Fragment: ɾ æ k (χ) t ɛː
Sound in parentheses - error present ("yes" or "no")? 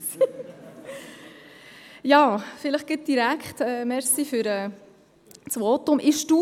no